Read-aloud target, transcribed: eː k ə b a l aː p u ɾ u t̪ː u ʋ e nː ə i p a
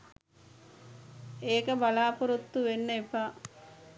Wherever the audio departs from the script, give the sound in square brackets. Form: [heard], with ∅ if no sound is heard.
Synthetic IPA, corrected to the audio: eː k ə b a l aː p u ɾ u t̪ː u ʋ e nː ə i p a